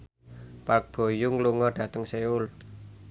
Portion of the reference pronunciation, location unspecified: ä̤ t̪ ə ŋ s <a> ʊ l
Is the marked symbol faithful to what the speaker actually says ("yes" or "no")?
no